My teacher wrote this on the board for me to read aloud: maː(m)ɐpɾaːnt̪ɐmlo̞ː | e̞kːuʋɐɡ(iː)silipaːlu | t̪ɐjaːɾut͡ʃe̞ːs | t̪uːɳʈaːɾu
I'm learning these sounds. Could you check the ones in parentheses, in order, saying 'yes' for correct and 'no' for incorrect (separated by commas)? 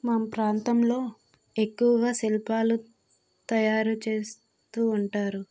yes, no